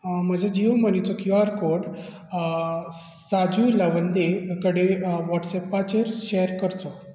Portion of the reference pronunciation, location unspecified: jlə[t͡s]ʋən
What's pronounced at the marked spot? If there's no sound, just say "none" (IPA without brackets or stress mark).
none